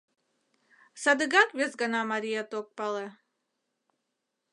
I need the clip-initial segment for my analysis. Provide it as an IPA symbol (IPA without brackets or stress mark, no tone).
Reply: s